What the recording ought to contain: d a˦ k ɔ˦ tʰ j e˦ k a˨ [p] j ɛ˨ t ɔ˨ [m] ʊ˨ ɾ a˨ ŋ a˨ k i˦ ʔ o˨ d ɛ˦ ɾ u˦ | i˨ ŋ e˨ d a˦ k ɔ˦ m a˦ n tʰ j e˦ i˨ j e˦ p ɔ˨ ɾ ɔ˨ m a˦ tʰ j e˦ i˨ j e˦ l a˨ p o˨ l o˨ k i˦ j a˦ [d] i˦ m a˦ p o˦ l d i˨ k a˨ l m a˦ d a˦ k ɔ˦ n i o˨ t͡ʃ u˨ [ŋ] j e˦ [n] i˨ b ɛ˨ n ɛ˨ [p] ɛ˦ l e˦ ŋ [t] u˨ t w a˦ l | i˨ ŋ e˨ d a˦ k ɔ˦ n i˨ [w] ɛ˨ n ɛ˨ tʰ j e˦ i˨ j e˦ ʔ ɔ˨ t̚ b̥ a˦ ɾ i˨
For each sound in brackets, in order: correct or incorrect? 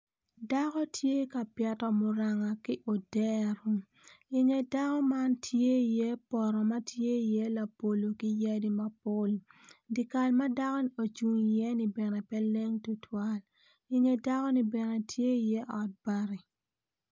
correct, correct, correct, correct, correct, correct, correct, incorrect: b

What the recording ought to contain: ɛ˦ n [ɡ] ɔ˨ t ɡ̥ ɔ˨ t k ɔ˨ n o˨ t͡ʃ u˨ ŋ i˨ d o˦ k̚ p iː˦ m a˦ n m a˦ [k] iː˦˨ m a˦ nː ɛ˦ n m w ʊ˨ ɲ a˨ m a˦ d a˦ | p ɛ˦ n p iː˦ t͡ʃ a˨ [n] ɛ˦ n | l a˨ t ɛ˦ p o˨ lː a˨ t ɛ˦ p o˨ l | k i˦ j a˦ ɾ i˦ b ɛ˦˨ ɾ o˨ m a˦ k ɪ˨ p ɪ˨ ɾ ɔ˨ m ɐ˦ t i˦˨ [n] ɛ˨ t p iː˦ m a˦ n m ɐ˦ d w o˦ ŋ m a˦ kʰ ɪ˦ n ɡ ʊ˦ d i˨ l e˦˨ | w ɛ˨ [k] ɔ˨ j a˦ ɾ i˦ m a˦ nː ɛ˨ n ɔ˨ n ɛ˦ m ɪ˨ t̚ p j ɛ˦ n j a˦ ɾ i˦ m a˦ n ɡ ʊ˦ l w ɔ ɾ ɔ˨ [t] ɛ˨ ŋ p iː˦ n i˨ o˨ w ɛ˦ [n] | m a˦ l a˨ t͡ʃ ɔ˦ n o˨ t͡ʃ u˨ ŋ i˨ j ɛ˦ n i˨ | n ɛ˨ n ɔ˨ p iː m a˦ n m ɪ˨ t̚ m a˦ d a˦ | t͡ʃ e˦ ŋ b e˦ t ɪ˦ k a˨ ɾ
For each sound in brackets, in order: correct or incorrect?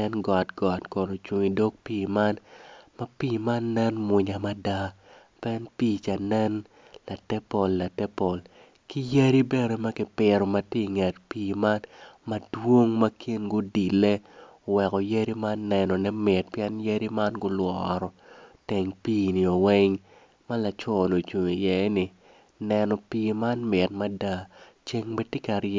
correct, incorrect: p, correct, incorrect: ŋ, correct, correct, incorrect: ŋ

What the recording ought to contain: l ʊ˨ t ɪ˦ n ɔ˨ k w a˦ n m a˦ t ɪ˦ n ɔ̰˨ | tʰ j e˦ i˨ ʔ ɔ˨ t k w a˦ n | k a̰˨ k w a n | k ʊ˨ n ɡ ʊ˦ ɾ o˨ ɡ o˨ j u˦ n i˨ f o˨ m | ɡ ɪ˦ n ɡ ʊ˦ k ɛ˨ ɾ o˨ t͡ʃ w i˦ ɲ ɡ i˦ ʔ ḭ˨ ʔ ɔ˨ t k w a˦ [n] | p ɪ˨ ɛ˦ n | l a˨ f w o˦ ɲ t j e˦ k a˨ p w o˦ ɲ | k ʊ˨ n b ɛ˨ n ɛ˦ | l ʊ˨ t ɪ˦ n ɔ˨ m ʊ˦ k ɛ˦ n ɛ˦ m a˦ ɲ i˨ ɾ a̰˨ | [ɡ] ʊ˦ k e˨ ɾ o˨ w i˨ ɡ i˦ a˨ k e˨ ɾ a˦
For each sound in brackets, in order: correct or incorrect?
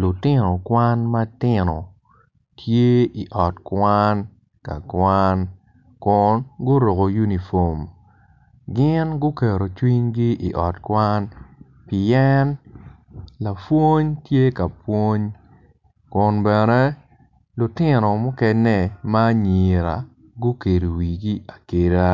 correct, correct

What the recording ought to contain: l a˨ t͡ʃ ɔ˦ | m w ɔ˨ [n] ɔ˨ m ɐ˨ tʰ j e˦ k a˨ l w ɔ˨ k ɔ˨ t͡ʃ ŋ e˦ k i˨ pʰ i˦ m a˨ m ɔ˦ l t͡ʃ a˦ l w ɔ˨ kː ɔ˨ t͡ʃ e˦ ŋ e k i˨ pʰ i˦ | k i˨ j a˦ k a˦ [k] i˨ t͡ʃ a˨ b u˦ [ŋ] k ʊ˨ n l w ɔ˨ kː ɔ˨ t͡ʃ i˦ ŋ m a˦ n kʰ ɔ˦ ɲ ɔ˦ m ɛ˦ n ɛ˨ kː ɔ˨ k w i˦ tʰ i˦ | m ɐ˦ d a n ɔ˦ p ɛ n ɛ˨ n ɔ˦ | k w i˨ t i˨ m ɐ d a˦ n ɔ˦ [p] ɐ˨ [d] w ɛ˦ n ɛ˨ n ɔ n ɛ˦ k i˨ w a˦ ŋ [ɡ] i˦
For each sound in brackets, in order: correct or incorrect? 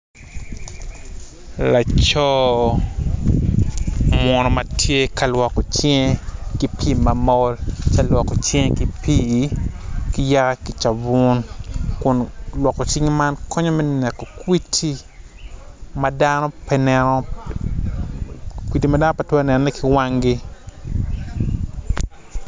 correct, correct, incorrect: n, correct, incorrect: t, correct

